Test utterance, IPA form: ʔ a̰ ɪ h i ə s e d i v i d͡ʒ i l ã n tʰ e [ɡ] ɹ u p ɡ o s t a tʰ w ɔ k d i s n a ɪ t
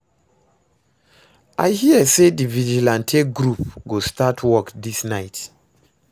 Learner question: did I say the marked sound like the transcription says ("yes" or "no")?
yes